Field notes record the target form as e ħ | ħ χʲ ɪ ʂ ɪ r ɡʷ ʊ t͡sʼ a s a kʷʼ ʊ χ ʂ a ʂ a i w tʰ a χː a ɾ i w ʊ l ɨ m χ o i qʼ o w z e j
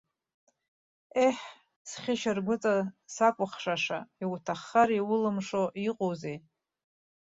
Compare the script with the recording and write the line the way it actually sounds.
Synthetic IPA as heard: e ħ | s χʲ ɪ ʃ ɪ r ɡʷ ʊ t͡sʼ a s a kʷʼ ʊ χ ʂ a ʂ a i w tʰ a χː a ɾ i w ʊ l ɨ m ʂ o i qʼ o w z e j